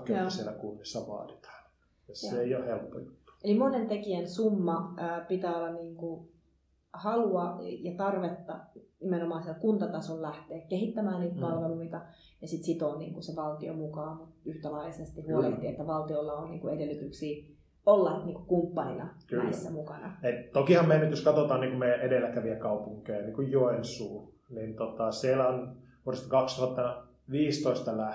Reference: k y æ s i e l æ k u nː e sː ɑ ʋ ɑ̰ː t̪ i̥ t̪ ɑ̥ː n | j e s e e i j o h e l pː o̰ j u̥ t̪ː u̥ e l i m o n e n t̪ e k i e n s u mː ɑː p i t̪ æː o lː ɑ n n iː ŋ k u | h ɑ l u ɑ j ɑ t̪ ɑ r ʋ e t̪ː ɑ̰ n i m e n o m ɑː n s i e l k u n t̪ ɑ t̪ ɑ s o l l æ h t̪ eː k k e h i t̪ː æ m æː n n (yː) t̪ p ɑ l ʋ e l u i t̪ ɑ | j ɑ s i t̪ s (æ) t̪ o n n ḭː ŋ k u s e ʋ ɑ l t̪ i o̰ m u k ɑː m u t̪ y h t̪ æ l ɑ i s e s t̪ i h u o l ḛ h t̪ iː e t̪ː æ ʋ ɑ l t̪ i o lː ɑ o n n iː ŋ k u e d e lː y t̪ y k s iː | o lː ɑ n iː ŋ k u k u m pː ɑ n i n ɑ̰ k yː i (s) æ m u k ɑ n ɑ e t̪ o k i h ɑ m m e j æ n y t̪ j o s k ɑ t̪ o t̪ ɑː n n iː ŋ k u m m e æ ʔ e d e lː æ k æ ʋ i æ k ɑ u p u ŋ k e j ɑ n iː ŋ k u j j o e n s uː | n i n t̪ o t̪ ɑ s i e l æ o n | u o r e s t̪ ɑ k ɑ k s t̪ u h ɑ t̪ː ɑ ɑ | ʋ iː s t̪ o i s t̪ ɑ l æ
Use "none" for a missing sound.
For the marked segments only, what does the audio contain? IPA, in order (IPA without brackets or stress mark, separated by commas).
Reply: iː, i, sː